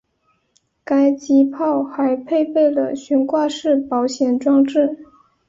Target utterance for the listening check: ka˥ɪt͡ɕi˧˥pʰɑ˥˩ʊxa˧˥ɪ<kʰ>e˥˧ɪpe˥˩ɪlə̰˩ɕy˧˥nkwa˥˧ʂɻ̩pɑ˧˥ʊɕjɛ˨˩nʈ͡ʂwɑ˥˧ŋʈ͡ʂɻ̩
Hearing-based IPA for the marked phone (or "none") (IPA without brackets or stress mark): pʰ